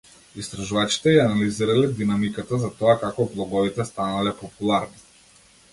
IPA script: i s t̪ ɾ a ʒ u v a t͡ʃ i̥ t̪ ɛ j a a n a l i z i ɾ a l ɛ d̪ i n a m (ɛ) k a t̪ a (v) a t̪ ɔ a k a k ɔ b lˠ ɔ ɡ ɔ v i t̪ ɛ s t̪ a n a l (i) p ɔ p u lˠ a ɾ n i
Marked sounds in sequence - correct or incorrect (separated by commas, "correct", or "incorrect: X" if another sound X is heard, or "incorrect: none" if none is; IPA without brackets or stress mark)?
incorrect: i, incorrect: z, incorrect: ɛ